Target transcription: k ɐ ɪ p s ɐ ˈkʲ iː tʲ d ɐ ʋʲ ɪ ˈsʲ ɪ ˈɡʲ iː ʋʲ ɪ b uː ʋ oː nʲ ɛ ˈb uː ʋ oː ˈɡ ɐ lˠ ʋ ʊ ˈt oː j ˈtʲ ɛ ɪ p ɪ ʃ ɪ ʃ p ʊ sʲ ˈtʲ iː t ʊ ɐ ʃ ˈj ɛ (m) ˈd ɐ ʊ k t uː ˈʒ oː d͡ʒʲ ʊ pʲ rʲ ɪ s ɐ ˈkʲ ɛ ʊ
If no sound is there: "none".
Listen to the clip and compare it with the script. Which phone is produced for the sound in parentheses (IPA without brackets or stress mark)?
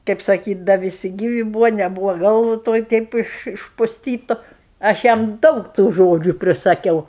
m